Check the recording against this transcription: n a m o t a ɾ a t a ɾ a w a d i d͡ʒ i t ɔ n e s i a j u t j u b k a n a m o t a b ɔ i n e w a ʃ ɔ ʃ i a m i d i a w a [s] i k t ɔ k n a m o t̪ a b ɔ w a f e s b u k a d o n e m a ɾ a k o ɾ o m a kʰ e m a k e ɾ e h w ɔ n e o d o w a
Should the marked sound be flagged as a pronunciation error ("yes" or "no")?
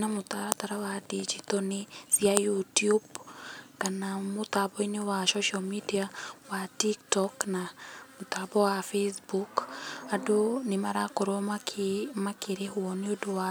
yes